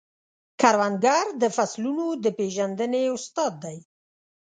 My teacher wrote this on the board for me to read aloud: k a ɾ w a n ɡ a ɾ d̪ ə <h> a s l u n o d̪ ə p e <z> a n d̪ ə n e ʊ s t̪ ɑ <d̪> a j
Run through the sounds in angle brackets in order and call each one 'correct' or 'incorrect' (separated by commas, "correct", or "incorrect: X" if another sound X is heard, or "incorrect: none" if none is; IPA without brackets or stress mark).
incorrect: f, incorrect: ʒ, incorrect: d̪ː